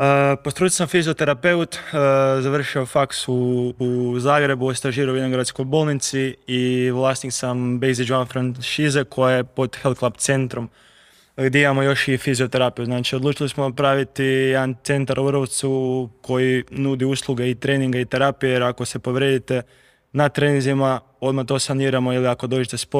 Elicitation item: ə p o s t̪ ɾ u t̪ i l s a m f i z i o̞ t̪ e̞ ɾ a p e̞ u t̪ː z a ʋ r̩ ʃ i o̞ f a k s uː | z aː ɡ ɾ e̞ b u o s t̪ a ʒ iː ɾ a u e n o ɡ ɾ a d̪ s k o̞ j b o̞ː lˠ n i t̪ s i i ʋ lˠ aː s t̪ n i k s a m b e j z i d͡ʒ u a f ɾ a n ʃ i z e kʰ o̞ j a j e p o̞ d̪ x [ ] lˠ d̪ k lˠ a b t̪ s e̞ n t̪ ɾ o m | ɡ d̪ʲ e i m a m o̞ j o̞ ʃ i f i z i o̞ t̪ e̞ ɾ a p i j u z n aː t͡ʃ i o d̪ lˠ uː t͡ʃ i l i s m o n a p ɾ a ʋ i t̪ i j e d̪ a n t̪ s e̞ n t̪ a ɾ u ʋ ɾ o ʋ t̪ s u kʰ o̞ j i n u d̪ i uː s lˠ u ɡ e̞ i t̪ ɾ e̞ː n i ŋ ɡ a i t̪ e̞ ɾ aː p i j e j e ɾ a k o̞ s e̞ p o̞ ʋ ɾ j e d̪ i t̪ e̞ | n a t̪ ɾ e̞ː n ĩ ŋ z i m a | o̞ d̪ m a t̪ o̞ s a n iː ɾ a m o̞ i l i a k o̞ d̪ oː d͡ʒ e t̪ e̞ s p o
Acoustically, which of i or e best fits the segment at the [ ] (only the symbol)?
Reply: e